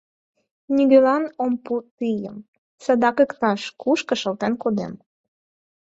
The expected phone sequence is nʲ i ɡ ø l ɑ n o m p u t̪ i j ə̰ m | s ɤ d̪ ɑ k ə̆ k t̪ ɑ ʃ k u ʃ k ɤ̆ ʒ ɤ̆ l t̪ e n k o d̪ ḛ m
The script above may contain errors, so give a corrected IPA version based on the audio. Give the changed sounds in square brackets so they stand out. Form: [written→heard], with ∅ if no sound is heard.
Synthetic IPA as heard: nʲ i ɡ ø l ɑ n o m p u t̪ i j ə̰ m | s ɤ d̪ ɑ k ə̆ k t̪ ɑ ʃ k u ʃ k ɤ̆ [ʒ→ʃ] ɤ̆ l t̪ e n k o d̪ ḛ m